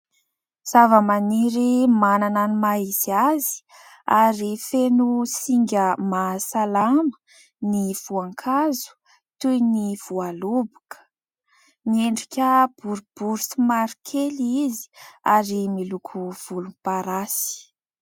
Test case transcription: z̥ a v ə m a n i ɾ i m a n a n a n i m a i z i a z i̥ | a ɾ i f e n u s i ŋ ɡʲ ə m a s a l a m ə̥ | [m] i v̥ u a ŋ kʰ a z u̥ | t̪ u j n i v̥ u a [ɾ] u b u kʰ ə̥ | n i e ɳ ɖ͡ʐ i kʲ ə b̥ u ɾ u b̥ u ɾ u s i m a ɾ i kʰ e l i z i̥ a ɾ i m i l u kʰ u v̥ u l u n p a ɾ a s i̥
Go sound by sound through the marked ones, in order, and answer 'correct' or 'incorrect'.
incorrect: n, incorrect: l

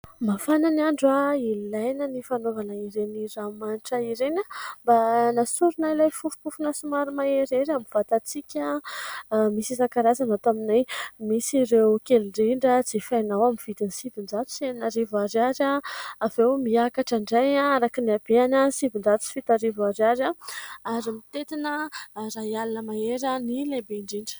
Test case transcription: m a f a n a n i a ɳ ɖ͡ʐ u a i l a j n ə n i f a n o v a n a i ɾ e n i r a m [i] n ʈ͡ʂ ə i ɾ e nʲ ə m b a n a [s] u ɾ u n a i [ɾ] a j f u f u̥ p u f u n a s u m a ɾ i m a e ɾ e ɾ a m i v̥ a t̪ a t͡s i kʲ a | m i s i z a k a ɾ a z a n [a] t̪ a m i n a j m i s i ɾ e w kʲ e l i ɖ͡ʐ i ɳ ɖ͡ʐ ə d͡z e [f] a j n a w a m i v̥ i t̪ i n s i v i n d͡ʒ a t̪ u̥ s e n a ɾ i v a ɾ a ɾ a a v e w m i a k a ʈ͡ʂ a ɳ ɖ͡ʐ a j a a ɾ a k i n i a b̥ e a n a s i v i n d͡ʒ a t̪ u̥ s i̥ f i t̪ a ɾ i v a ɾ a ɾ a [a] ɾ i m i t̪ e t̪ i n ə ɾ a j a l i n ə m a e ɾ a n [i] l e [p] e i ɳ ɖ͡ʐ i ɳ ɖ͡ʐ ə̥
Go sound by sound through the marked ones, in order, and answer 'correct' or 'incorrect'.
incorrect: a, correct, incorrect: l, correct, correct, correct, correct, incorrect: b

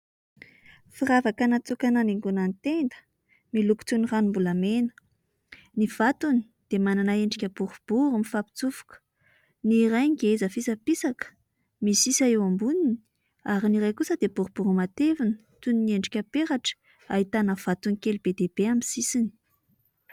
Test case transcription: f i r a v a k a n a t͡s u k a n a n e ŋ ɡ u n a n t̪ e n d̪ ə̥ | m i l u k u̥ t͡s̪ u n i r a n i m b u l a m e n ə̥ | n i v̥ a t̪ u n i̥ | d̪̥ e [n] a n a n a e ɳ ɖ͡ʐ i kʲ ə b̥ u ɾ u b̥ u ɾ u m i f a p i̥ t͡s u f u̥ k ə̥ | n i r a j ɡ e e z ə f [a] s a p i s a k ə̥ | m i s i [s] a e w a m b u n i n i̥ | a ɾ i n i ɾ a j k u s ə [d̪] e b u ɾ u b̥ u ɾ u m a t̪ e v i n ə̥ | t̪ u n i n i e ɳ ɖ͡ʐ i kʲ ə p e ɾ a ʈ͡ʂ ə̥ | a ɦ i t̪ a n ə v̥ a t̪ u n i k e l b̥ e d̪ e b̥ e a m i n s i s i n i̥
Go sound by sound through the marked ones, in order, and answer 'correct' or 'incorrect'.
incorrect: m, incorrect: i, correct, correct

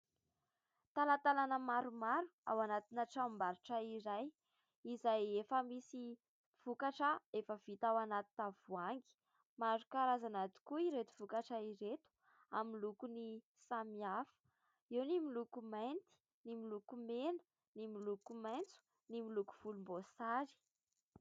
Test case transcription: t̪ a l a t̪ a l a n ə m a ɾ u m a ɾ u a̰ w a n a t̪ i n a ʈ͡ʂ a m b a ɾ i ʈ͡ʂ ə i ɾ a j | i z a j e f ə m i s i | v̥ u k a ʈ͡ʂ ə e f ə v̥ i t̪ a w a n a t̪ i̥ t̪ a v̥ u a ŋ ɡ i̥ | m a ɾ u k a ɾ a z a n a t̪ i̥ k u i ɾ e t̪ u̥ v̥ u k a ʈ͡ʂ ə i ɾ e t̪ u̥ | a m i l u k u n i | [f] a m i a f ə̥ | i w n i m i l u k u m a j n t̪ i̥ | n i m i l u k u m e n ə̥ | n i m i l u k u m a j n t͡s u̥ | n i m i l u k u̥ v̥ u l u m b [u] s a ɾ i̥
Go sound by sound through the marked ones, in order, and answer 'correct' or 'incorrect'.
incorrect: s, incorrect: o

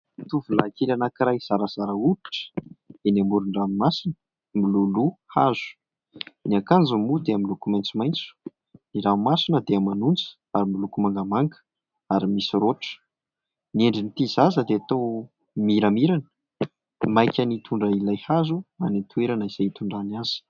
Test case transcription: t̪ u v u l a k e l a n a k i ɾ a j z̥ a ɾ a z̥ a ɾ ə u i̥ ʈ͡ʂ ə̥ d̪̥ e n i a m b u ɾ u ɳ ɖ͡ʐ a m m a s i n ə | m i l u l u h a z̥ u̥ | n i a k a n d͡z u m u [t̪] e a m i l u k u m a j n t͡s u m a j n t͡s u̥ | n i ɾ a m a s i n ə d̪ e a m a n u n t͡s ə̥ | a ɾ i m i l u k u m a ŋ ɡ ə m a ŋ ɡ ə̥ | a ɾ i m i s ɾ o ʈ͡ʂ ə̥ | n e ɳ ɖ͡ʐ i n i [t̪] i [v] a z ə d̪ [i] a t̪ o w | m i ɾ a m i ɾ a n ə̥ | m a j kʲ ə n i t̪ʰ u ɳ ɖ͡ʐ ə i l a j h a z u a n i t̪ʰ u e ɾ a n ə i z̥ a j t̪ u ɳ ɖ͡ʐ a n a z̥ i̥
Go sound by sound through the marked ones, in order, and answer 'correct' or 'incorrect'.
incorrect: d̪, correct, incorrect: z, incorrect: e

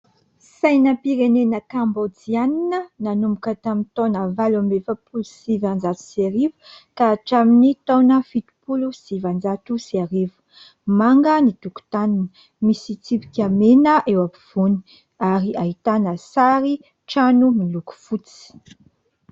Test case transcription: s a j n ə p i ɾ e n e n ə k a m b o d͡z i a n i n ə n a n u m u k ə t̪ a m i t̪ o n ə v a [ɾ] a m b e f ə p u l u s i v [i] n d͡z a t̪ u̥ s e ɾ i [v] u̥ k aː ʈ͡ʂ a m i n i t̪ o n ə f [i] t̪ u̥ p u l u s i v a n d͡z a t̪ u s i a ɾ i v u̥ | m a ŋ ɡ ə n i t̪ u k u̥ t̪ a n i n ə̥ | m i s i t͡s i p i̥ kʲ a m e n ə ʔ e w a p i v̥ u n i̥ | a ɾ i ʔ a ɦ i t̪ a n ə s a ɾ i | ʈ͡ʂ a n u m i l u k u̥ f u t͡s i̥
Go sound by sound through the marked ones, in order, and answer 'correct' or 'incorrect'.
incorrect: l, incorrect: a, correct, correct

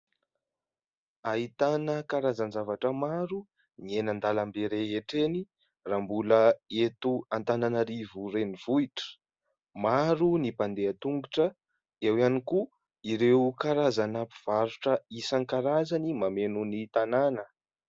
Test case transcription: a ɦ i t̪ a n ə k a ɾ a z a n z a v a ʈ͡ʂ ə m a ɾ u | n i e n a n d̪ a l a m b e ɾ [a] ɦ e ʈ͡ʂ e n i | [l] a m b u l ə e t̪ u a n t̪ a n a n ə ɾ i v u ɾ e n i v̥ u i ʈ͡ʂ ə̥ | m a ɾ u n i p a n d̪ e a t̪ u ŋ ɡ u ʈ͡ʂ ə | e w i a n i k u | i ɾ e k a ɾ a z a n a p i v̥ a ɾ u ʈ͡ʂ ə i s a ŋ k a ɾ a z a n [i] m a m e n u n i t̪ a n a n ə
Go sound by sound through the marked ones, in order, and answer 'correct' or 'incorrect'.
incorrect: e, incorrect: r, correct

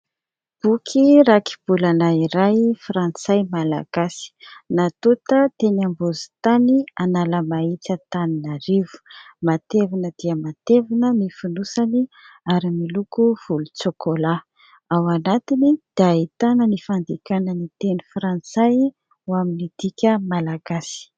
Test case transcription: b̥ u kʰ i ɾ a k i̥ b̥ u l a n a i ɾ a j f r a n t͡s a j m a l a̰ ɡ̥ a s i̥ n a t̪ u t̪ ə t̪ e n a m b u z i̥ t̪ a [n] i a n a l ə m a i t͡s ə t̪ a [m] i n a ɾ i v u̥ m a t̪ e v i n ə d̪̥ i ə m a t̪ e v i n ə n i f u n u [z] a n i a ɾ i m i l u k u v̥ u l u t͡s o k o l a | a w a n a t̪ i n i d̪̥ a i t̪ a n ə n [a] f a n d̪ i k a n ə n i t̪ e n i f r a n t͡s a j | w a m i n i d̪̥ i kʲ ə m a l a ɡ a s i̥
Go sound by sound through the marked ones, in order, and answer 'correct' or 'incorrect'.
correct, incorrect: n, incorrect: s, incorrect: i

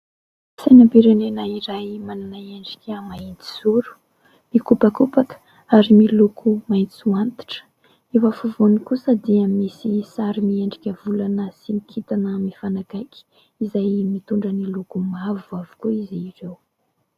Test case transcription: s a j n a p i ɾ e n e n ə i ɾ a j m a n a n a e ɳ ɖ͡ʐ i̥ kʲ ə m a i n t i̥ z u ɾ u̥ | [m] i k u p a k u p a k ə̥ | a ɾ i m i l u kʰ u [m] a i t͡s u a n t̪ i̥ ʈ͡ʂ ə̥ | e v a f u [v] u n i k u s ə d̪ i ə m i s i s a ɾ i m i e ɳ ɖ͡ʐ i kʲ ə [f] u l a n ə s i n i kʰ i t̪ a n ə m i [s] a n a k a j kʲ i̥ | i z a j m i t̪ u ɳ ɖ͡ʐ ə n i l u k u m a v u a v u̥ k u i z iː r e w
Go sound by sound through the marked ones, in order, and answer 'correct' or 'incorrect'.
correct, correct, correct, incorrect: v, incorrect: f

